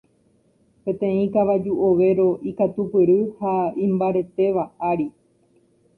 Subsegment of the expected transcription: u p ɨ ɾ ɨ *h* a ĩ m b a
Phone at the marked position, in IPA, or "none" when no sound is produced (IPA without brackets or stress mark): h